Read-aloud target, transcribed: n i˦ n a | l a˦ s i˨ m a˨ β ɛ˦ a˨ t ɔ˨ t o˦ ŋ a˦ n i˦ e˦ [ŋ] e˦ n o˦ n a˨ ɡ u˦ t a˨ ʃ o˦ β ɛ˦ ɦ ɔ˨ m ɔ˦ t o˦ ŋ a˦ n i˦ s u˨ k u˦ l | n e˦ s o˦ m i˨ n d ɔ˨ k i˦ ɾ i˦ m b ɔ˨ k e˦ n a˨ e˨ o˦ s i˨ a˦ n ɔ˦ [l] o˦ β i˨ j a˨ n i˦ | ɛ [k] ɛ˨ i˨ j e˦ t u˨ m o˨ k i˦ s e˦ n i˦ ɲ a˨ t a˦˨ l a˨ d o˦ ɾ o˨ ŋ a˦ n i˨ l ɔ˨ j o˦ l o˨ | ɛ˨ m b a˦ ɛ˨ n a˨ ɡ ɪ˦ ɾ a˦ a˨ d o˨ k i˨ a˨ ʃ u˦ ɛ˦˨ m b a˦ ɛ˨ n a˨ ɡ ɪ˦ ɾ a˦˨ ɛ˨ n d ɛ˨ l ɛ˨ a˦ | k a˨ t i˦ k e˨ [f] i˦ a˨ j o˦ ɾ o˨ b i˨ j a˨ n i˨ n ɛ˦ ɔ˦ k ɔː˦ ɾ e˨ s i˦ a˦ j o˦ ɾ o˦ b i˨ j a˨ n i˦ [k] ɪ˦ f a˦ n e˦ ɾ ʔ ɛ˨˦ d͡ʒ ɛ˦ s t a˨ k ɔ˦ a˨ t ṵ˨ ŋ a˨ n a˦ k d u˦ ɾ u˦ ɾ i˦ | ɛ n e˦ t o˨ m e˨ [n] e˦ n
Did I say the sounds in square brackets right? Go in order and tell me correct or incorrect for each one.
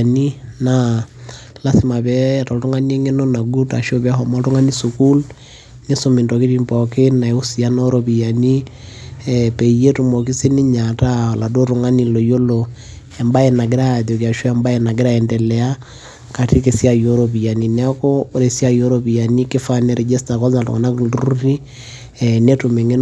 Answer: correct, incorrect: ɾ, incorrect: p, incorrect: s, correct, incorrect: ŋ

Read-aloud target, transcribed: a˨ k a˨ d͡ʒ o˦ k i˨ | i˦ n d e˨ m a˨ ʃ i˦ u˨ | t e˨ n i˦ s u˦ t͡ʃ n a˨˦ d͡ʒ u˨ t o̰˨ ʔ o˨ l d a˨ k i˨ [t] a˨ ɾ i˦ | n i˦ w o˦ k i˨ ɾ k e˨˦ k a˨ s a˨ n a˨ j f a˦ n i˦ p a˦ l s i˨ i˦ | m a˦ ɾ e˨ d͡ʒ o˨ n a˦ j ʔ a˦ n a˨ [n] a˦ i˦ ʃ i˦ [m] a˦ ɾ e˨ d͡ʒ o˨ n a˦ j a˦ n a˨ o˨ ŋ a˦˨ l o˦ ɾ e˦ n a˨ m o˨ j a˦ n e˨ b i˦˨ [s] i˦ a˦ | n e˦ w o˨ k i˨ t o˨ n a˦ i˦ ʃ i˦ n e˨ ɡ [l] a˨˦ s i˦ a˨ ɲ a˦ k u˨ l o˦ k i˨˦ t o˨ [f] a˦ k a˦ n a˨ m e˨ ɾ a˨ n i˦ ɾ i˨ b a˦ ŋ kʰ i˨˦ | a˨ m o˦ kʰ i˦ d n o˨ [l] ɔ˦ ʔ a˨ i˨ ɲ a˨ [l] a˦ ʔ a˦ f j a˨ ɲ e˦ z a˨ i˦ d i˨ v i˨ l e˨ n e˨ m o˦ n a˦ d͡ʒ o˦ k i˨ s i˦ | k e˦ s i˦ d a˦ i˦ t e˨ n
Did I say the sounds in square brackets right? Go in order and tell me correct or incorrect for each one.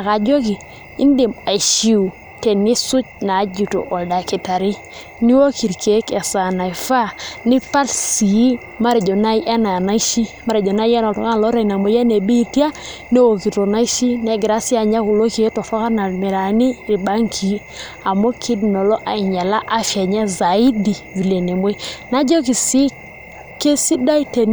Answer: correct, correct, correct, incorrect: t, incorrect: ɾ, correct, correct, correct

